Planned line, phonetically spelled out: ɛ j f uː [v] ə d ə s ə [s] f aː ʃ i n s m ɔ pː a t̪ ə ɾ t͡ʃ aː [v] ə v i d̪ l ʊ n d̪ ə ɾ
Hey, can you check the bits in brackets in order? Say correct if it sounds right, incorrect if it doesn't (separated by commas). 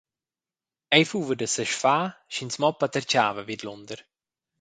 correct, incorrect, correct